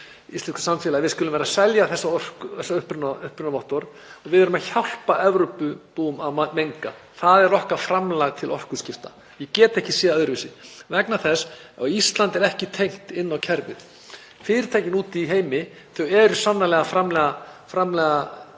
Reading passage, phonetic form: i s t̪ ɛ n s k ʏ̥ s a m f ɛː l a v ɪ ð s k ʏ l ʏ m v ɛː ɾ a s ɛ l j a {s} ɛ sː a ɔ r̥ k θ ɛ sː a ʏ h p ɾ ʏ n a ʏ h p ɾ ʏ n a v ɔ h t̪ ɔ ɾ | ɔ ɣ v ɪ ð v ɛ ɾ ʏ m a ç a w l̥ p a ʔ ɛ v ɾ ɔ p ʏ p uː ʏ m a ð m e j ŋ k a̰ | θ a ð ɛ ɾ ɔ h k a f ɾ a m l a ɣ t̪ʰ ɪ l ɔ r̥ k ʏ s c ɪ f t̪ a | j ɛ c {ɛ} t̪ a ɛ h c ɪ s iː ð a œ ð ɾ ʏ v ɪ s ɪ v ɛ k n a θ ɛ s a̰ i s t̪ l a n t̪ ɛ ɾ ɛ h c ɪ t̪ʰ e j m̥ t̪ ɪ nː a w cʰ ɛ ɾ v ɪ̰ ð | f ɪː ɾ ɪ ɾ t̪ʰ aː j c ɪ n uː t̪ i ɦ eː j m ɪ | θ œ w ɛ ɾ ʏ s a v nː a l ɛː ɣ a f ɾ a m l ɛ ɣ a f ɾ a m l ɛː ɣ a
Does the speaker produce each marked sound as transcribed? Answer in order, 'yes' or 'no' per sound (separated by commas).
no, no